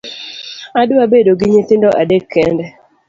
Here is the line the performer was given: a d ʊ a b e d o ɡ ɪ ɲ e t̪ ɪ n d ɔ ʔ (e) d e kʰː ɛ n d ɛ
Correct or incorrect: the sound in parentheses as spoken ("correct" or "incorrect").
incorrect